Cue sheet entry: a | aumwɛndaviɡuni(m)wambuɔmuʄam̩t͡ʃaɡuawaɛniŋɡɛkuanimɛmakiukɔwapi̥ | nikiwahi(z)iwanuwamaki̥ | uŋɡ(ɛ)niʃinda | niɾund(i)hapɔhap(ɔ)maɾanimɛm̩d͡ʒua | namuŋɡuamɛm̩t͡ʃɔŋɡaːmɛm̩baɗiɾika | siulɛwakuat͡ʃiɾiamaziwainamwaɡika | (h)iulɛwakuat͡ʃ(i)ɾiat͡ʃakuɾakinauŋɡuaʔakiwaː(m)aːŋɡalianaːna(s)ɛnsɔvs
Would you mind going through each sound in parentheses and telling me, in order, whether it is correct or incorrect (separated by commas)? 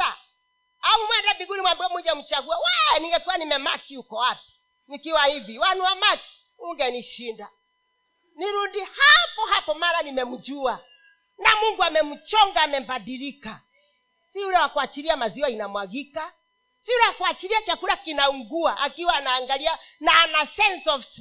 correct, incorrect, correct, correct, correct, incorrect, correct, incorrect, correct